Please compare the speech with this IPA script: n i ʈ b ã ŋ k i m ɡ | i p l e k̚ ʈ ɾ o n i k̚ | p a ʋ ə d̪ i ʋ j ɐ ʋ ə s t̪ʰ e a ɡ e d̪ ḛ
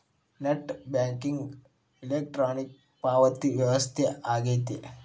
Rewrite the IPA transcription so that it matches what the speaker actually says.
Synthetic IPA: n e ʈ b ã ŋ k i ŋ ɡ | i l e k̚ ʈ ɾ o n i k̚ | p a ʋ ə t̪ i ʋ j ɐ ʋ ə s t̪ʰ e a ɡ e t̪ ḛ